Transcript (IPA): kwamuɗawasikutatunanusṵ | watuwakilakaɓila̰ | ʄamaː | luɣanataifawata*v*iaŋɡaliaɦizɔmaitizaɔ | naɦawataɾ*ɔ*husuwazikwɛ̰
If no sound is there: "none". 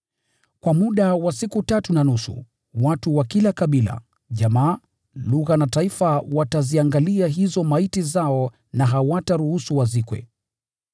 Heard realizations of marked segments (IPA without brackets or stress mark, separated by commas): z, u